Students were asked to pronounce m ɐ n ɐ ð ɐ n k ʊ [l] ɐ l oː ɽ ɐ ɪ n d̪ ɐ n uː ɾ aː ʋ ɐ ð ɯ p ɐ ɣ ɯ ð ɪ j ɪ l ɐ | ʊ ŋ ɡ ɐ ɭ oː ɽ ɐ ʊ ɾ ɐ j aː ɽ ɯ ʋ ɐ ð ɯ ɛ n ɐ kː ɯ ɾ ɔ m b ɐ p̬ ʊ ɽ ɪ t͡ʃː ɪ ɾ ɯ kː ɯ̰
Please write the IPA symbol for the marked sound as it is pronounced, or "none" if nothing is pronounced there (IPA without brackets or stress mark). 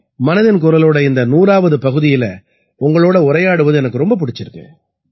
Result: ɾ